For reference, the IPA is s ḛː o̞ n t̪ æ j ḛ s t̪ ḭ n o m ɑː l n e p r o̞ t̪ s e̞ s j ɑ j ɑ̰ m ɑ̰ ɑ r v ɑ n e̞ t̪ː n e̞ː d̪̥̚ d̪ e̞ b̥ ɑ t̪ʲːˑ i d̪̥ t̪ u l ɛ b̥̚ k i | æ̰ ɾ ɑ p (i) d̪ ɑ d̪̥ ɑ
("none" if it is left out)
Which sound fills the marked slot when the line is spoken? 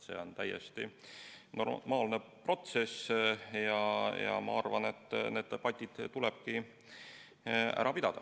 i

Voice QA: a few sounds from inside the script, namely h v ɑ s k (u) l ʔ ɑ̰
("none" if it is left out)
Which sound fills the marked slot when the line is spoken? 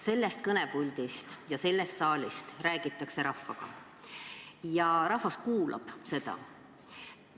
uː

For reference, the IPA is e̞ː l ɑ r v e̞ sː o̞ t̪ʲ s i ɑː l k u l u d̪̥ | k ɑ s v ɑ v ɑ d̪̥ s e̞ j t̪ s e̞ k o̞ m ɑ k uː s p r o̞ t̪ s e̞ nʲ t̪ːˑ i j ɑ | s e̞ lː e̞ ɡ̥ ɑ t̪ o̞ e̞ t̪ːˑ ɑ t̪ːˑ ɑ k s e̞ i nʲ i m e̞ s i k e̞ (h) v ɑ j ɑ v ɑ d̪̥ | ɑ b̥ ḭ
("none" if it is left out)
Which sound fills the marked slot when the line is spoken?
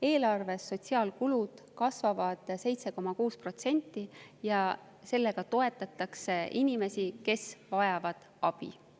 s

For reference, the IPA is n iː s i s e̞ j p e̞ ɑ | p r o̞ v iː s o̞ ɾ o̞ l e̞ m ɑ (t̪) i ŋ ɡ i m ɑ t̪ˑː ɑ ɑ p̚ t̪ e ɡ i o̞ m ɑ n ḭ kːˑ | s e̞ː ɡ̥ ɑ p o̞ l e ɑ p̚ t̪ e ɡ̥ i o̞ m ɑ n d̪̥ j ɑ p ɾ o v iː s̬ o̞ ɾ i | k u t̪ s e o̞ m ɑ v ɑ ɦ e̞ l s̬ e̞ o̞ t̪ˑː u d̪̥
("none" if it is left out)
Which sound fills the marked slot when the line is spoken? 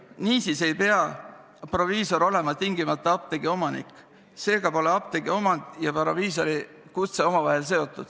t̪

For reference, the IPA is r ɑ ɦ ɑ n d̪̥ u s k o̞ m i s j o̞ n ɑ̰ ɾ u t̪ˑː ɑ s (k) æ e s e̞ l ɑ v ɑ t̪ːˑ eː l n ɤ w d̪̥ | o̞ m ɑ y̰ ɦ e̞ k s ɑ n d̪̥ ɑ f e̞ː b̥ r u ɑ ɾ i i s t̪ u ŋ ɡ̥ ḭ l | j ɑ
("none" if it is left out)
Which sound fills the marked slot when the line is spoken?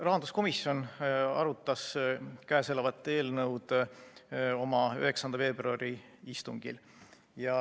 k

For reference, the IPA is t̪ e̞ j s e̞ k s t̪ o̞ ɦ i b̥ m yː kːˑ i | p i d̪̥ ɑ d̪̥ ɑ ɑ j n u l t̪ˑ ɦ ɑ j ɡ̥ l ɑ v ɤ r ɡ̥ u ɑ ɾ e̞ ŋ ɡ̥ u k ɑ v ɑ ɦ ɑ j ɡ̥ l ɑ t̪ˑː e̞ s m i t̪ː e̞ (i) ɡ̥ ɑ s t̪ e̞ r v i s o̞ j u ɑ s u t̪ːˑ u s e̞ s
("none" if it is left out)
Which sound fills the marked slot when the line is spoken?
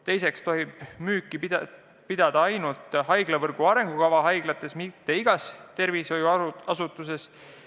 i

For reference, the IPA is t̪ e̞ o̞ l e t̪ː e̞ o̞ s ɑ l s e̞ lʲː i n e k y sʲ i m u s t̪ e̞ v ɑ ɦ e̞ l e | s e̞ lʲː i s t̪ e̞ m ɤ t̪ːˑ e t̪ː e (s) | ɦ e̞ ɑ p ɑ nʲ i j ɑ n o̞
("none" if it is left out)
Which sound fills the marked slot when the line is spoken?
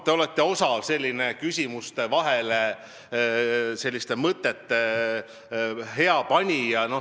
none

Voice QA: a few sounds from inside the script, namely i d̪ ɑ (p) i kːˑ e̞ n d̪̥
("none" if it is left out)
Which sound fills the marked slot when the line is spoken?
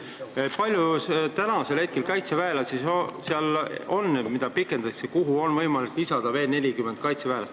p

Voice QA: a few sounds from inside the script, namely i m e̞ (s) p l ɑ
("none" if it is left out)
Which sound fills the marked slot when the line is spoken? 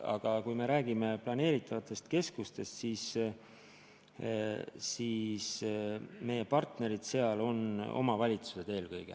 none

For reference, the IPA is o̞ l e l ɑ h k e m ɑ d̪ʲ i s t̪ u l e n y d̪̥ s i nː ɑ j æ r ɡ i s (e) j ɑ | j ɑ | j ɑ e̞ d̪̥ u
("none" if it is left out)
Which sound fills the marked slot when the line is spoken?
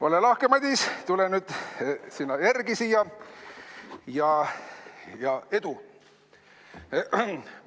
i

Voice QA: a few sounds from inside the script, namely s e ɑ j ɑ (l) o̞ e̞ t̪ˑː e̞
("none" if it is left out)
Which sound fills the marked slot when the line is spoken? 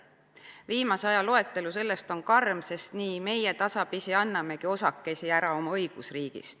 l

